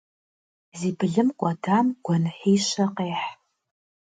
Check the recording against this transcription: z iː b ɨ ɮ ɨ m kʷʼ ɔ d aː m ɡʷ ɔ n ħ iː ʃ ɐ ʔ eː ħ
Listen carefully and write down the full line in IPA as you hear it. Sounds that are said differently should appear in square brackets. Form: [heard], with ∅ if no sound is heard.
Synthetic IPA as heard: z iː b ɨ ɮ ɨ m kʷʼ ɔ d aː m ɡʷ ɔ n ħ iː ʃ ɐ [q] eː ħ